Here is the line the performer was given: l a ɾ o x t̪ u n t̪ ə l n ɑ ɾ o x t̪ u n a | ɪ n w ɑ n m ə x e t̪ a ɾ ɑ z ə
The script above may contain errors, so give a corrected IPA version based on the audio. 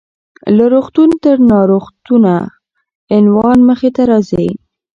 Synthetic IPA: l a ɾ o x t̪ u n t̪ ə ɾ n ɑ ɾ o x t̪ u n a | ɪ n w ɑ n m ə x e t̪ a ɾ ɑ z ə